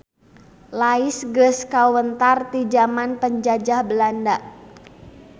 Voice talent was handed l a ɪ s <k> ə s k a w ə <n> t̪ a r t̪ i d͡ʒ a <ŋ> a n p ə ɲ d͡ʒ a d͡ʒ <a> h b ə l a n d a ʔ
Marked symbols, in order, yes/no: no, yes, no, yes

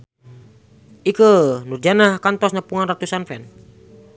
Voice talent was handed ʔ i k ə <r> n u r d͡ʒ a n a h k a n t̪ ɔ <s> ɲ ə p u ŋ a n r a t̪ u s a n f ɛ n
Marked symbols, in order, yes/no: no, yes

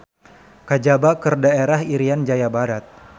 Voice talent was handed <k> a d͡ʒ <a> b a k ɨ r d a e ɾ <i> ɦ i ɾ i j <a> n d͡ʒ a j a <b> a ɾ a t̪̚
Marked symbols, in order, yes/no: yes, yes, no, yes, yes

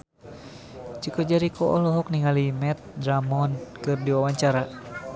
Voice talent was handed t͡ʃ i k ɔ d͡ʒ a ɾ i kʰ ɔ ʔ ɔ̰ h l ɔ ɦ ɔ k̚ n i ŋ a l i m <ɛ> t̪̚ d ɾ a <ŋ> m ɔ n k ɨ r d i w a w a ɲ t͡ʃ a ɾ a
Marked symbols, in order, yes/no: yes, no

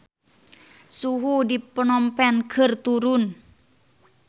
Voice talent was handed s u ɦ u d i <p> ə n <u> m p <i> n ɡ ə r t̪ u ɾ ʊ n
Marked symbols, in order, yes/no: yes, no, no

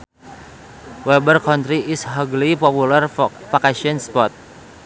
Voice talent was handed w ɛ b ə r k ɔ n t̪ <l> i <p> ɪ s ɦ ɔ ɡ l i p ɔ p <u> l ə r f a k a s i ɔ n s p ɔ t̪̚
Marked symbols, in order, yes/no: no, no, yes

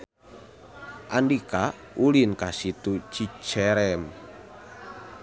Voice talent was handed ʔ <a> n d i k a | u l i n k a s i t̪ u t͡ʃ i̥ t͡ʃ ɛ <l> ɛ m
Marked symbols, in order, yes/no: yes, no

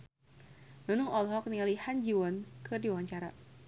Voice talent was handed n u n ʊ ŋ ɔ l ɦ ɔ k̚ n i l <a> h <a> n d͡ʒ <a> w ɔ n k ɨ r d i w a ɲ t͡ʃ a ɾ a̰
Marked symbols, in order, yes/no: no, yes, no

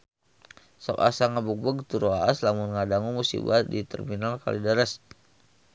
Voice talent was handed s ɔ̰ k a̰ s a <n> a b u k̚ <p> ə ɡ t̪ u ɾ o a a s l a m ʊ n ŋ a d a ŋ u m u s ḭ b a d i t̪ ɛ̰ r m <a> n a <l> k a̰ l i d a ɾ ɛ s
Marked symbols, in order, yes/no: no, no, no, yes

